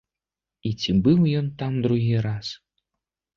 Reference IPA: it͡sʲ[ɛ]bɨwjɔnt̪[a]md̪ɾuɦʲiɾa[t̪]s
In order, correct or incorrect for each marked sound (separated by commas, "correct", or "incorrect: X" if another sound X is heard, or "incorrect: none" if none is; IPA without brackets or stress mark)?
incorrect: i, correct, incorrect: none